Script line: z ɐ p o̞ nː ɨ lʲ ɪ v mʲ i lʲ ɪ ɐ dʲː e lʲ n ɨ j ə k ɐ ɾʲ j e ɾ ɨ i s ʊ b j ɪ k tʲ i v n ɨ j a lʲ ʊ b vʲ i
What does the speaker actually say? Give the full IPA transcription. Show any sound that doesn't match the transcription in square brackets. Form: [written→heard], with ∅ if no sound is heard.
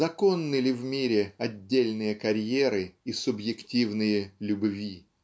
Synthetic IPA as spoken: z ɐ [p→k] o̞ nː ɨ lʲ ɪ v mʲ i [lʲ→ɾʲ] ɪ ɐ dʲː e lʲ n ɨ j ə k ɐ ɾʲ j e ɾ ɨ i s ʊ b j ɪ k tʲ i v n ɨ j [a→ə] lʲ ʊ b vʲ i